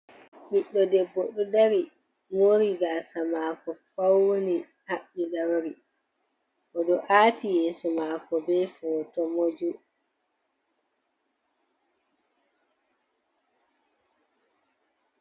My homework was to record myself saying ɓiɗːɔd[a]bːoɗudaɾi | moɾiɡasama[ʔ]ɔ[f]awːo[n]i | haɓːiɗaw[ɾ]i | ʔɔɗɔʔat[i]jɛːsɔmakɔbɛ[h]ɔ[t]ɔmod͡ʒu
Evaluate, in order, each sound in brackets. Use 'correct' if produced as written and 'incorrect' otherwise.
incorrect, incorrect, correct, correct, correct, correct, incorrect, correct

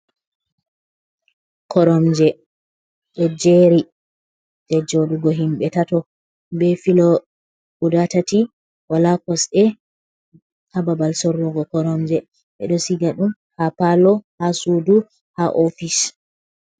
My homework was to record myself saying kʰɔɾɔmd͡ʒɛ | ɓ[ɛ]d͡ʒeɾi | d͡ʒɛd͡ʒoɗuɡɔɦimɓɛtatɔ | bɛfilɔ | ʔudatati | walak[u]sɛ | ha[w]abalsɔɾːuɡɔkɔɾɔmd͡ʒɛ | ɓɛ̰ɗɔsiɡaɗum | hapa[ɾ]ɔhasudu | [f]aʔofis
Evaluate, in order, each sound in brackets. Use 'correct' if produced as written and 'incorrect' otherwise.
correct, incorrect, incorrect, incorrect, incorrect

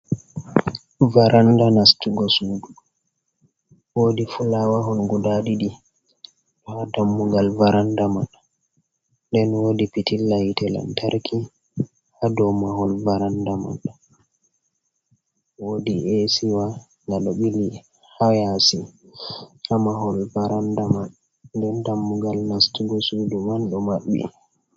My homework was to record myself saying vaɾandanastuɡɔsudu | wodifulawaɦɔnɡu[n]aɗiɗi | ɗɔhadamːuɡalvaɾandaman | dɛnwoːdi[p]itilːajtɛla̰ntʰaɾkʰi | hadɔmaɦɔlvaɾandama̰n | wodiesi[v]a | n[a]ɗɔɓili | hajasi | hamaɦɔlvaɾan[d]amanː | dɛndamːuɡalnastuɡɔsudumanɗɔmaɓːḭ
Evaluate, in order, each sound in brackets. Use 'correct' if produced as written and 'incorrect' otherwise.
incorrect, correct, incorrect, correct, correct

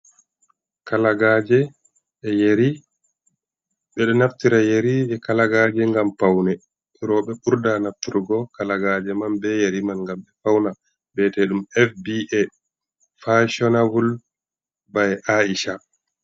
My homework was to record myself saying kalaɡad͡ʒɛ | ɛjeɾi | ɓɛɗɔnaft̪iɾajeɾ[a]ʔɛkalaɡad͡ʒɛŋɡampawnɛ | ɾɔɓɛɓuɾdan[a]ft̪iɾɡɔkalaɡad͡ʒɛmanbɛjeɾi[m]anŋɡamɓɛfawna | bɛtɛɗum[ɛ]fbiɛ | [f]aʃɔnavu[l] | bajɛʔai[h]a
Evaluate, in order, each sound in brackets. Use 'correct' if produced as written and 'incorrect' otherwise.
incorrect, correct, correct, correct, correct, correct, incorrect

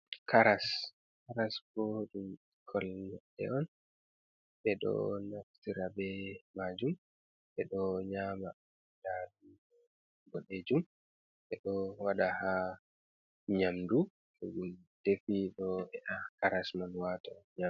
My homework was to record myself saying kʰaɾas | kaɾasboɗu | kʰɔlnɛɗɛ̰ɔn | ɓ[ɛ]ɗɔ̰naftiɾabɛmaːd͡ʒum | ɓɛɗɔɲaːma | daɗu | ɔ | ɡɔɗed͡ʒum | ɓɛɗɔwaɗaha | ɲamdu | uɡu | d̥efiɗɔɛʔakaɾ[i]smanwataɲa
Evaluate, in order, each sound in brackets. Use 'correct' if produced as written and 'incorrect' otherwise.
correct, incorrect

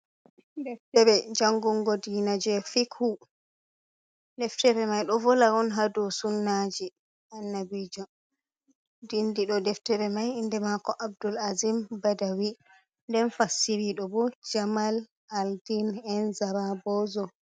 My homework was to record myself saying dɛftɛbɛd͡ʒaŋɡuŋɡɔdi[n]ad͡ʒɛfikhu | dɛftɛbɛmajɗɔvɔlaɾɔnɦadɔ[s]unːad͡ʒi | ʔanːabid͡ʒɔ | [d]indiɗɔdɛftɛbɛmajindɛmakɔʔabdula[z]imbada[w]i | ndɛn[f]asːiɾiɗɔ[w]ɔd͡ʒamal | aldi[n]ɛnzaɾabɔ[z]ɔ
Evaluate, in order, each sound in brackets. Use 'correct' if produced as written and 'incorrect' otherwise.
correct, correct, correct, correct, correct, correct, incorrect, correct, correct

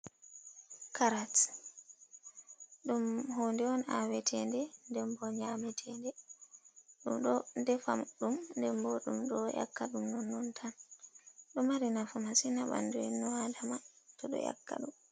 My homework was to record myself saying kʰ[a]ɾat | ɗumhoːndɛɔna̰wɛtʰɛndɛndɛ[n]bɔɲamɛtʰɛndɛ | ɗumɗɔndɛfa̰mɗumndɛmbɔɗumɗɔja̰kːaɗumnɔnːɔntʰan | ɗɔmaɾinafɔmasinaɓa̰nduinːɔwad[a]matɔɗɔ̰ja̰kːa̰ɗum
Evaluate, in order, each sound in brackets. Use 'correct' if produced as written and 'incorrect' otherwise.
correct, incorrect, correct

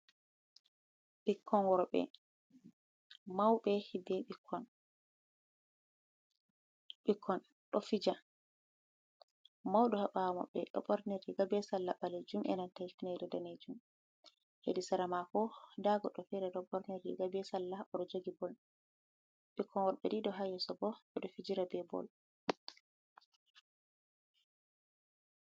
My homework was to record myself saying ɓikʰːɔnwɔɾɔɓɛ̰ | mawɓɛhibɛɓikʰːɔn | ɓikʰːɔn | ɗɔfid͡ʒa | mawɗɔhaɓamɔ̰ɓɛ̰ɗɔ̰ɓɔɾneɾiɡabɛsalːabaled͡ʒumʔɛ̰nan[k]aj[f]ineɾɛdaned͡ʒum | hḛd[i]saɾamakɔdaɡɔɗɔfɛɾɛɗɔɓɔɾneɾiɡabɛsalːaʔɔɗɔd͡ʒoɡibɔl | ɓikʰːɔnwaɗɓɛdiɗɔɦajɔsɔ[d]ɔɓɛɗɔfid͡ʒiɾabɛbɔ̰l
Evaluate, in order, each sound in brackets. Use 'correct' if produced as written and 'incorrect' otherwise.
incorrect, correct, correct, incorrect

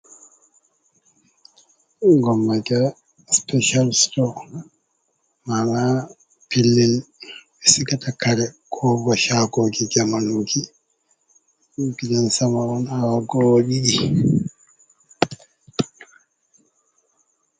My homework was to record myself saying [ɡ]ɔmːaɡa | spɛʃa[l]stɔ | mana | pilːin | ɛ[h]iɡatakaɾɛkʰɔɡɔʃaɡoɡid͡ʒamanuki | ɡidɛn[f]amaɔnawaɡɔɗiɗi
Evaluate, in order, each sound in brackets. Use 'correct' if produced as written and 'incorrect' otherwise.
correct, correct, incorrect, incorrect

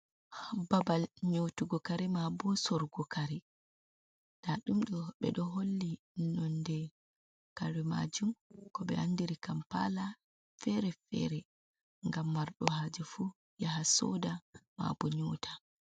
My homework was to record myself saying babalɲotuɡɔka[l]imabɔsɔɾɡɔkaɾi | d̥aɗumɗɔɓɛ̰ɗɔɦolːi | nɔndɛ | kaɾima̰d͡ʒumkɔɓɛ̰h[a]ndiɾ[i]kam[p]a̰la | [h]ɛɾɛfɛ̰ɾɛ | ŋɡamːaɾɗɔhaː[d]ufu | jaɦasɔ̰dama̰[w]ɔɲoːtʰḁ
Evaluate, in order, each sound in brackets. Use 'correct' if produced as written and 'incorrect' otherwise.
incorrect, correct, correct, correct, incorrect, incorrect, incorrect

